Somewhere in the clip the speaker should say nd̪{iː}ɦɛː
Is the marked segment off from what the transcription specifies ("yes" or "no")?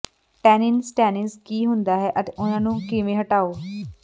yes